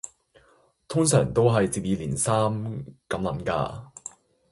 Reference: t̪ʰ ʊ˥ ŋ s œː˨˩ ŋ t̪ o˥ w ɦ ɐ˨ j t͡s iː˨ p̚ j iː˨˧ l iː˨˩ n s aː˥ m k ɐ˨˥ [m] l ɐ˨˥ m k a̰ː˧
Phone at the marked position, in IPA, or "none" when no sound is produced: m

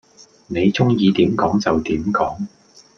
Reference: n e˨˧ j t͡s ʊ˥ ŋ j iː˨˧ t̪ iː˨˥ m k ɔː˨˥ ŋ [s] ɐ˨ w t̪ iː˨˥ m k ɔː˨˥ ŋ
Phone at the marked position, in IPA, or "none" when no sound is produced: t͡s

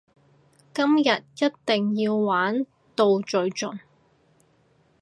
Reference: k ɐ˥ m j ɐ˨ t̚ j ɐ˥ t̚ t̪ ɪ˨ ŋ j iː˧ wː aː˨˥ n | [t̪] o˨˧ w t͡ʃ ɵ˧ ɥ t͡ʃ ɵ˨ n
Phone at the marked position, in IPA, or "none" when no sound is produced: t̪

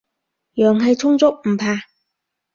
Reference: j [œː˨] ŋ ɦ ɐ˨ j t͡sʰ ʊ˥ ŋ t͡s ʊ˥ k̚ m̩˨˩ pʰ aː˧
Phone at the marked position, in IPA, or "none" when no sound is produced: œː˨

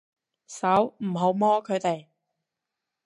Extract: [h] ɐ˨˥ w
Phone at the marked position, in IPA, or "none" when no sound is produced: s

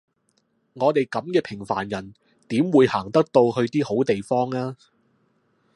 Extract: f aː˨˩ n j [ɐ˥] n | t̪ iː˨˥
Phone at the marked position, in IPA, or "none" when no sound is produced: ɐ˨˩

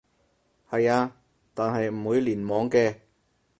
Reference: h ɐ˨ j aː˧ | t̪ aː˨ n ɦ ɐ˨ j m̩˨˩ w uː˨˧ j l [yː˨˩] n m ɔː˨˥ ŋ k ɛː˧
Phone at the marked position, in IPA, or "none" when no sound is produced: iː˨˩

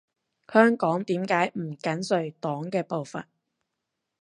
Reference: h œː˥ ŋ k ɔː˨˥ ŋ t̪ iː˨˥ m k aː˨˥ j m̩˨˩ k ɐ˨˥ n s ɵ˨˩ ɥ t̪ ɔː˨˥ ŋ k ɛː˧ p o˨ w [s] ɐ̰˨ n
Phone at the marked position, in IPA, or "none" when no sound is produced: f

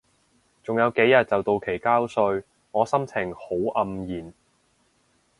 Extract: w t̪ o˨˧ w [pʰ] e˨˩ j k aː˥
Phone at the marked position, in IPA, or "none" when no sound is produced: kʰ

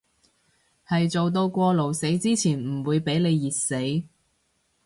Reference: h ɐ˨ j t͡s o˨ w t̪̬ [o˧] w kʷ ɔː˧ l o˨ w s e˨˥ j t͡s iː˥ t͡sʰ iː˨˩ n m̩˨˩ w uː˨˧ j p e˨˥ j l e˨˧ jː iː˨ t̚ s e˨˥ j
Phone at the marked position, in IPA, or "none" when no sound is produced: o˧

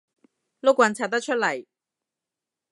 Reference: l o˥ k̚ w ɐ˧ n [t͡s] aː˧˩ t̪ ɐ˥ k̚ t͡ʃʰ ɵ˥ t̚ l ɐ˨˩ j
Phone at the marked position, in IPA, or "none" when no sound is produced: t͡sʰ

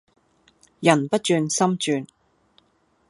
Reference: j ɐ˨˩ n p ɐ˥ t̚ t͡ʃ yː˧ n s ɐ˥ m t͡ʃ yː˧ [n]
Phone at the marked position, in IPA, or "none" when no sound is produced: n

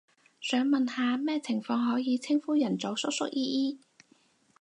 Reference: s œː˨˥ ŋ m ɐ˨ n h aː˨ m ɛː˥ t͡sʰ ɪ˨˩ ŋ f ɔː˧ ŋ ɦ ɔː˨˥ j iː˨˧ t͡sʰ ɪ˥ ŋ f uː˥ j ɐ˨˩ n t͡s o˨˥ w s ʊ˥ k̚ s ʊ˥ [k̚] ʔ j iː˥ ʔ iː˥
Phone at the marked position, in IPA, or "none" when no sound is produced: k̚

